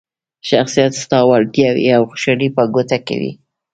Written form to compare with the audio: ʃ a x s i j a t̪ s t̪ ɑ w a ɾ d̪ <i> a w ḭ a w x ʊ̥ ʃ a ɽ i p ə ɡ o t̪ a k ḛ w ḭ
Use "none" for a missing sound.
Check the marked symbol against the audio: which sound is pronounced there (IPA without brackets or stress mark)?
j